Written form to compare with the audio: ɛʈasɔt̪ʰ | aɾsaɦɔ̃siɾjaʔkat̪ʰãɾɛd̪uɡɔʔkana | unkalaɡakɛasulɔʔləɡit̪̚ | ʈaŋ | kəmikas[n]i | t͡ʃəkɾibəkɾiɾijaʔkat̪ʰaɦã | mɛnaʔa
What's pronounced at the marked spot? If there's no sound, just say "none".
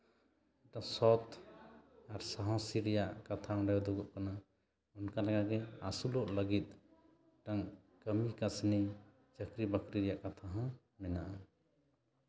n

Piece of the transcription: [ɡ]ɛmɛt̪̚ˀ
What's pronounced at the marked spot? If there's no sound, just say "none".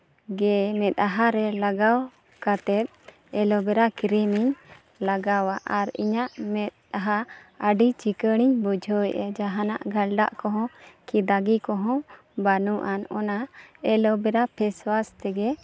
ɡ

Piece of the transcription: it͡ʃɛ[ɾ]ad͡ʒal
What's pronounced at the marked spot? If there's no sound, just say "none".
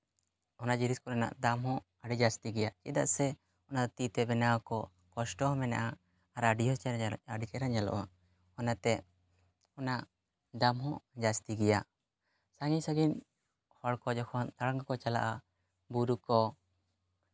ɾ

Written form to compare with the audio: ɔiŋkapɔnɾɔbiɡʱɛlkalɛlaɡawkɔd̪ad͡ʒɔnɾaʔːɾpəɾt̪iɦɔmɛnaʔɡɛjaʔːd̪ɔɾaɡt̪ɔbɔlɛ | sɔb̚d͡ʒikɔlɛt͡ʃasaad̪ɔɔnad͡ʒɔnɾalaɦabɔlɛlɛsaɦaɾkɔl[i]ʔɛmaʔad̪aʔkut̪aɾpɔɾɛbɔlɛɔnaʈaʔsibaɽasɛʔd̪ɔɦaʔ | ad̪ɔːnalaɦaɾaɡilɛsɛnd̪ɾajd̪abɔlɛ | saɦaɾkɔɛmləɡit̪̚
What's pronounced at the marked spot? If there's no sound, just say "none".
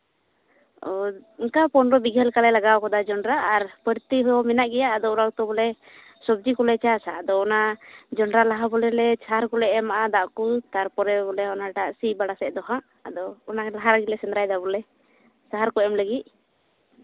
ɛ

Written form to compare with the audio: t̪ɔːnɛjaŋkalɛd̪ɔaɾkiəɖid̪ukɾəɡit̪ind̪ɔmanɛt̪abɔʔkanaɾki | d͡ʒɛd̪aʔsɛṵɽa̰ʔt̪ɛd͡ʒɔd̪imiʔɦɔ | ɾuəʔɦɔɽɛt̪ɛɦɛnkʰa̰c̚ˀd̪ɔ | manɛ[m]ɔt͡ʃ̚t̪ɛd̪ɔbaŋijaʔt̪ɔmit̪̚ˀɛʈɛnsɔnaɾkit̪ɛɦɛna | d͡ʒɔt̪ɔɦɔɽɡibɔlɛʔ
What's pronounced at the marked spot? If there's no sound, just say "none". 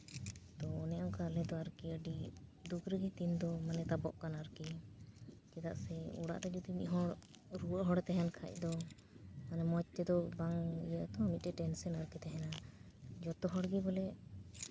m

